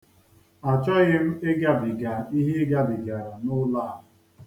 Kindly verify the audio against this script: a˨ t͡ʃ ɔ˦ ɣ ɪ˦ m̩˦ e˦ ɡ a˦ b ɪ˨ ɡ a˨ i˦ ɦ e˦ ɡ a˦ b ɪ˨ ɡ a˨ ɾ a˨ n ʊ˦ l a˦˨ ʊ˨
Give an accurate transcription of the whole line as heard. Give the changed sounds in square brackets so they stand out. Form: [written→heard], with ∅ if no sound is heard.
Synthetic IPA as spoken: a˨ t͡ʃ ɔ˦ ɣ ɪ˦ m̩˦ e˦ ɡ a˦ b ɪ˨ ɡ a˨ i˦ ɦ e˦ ɡ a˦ b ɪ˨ ɡ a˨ ɾ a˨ n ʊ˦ l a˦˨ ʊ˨